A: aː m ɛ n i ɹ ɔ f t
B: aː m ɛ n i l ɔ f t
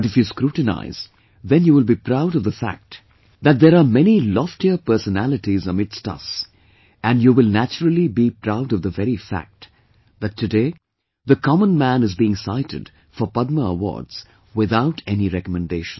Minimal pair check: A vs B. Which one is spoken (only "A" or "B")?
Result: B